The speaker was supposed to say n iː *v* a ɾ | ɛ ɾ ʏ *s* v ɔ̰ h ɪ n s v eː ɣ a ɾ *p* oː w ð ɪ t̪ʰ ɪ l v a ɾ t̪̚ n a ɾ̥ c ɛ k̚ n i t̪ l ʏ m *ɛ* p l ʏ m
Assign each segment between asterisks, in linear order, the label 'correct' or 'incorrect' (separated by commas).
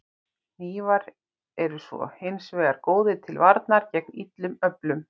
correct, correct, incorrect, incorrect